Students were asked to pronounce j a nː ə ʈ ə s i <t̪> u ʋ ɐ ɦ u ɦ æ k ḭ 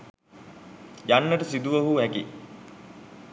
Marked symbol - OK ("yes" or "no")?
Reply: no